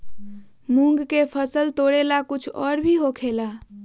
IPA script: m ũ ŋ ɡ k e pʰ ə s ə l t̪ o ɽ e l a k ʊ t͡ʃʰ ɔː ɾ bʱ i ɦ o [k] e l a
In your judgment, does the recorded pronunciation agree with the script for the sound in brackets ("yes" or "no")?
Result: no